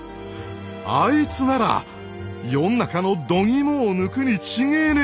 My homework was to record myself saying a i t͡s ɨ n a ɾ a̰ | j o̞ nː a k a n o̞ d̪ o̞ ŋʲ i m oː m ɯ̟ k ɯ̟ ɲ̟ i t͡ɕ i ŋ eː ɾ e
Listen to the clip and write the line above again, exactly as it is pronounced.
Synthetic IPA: a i t͡s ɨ n a ɾ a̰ | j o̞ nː a k a n o̞ d̪ o̞ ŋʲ i m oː n ɯ̟ k ɯ̟ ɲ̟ i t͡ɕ i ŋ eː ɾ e

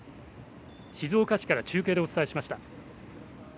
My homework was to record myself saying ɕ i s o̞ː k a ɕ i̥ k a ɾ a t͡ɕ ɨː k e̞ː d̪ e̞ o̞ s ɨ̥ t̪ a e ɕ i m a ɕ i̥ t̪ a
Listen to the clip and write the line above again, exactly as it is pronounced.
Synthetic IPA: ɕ i z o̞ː k a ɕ i̥ k a ɾ a t͡ɕ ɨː k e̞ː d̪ e̞ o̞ t͡s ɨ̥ t̪ a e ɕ i m a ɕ i̥ t̪ a

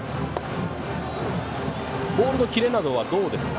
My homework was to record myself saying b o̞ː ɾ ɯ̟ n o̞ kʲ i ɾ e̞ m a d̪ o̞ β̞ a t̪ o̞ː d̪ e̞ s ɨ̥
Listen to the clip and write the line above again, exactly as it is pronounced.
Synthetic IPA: b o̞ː ɾ ɯ̟ n o̞ kʲ i ɾ e̞ n a d̪ o̞ β̞ a d̪ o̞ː d̪ e̞ s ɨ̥

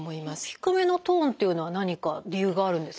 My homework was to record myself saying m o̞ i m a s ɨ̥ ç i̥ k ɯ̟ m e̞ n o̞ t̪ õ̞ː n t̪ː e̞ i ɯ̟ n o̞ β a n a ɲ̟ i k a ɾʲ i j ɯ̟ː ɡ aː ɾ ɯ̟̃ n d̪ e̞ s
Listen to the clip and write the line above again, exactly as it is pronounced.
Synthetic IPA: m o̞ i m a s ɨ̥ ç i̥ k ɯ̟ m e̞ n o̞ t̪ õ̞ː n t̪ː e̞ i ɯ̟ n o̞ β a n a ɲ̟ i k a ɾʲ i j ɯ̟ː ɡ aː ɾ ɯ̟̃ n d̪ e̞ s

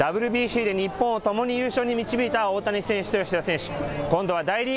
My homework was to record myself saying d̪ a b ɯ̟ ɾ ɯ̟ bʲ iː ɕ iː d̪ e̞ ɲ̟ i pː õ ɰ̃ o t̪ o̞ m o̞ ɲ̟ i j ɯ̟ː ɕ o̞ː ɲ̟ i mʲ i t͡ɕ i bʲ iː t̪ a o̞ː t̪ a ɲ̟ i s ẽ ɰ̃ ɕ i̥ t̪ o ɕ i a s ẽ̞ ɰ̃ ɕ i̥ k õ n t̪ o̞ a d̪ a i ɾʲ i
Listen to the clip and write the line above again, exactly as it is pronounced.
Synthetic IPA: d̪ a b ɯ̟ ɾ ɯ̟ bʲ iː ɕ iː d̪ e̞ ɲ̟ i pː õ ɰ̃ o t̪ o̞ m o̞ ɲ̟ i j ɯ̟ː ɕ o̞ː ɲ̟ i mʲ i t͡ɕ i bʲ iː t̪ a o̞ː t̪ a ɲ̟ i s ẽ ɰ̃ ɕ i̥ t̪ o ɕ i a s ẽ̞ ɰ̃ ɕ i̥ k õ n d̪ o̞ a d̪ a i ɾʲ i

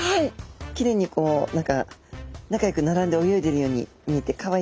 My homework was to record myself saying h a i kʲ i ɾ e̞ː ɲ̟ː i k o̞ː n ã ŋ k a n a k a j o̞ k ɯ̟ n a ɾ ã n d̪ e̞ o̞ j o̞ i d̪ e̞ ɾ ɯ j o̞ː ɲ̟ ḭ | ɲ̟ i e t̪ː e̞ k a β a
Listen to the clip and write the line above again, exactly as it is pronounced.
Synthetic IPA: h a i kʲ i ɾ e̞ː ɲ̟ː i k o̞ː n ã ŋ k a n a k a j o̞ k ɯ̟ n a ɾ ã n d̪ e̞ o̞ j o̞ i d̪ e̞ ɾ ɯ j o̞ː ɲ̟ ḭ | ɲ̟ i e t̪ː e̞ k a β a

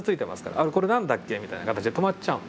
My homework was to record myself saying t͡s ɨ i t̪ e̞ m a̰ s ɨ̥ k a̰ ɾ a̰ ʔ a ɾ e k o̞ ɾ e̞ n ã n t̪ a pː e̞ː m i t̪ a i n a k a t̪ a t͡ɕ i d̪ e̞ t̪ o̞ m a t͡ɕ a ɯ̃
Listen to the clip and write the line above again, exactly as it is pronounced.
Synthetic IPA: t͡s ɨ i t̪ e̞ m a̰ s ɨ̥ k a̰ ɾ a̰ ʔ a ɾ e k o̞ ɾ e̞ n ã n d̪ a kː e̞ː m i t̪ a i n a k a t̪ a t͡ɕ i d̪ e̞ t̪ o̞ m a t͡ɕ a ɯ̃

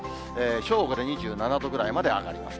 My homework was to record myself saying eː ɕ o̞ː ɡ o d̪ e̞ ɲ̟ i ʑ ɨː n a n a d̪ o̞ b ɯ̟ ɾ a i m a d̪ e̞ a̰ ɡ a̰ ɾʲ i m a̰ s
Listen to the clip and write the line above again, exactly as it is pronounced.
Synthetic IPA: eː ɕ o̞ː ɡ o d̪ e̞ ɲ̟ i ʑ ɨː n a n a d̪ o̞ ɡ ɯ̟ ɾ a i m a d̪ e̞ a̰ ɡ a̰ ɾʲ i m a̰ s

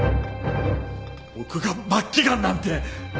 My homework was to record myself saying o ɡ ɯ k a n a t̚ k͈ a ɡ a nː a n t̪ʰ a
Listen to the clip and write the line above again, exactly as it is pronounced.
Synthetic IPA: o k ɯ ɡ a m a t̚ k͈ i ɡ a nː a n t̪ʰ e

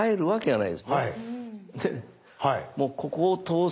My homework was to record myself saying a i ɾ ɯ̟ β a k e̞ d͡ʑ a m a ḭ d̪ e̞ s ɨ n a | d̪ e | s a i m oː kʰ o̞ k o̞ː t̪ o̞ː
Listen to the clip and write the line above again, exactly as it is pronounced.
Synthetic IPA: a e ɾ ɯ̟ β a k e̞ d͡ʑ a n a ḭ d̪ e̞ s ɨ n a | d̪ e | h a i m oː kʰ o̞ k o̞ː t̪ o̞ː

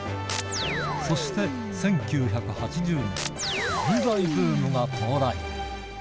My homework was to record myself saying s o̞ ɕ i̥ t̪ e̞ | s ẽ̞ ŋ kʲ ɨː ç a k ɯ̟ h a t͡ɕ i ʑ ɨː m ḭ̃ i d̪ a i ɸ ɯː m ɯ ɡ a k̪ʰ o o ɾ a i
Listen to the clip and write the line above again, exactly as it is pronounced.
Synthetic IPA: s o̞ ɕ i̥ t̪ e̞ | s ẽ̞ ŋ kʲ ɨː ç a k ɯ̟ h a t͡ɕ i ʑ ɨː ɲ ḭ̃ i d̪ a i ɸ ɯː m ɯ ɡ a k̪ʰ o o ɾ a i

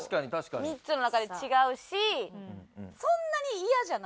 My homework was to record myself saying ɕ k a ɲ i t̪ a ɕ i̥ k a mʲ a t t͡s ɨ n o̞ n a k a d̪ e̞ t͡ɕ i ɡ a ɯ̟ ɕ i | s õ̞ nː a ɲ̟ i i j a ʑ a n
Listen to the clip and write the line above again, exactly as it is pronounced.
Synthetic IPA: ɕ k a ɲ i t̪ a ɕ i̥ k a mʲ i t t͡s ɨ n o̞ n a k a d̪ e̞ t͡ɕ i ɡ a ɯ̟ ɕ i | s õ̞ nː a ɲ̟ i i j a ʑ a n

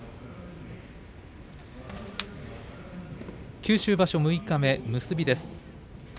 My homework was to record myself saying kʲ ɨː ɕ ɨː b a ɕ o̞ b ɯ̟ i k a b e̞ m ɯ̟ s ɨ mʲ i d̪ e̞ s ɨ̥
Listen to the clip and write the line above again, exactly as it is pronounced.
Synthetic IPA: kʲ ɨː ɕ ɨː b a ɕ o̞ m ɯ̟ i k a m e̞ m ɯ̟ s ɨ bʲ i d̪ e̞ s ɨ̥

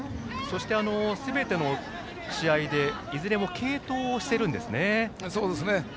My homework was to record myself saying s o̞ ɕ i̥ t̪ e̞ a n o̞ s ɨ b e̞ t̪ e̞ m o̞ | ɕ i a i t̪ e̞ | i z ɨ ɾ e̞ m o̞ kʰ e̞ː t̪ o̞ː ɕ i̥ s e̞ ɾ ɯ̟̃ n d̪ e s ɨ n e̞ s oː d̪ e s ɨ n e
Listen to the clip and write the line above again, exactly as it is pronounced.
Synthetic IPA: s o̞ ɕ i̥ t̪ e̞ a n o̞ s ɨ b e̞ t̪ e̞ n o̞ | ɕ i a i d̪ e̞ | i z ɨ ɾ e̞ m o̞ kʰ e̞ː t̪ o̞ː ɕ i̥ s e̞ ɾ ɯ̟̃ n d̪ e s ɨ n e̞ s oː d̪ e s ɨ n e

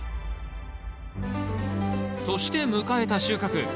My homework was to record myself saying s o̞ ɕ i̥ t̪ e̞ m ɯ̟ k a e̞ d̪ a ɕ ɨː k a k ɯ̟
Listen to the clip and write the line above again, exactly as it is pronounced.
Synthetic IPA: s o̞ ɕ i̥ t̪ e̞ m ɯ̟ k a e̞ t̪ a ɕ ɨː k a k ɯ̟

